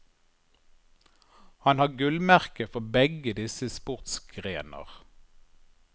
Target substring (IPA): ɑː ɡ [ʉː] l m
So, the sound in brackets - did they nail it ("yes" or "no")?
no